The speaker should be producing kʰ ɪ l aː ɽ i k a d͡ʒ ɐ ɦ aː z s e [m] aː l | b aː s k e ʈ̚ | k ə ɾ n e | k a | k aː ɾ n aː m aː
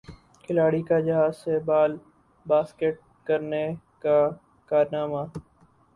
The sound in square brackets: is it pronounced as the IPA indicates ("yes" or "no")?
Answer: no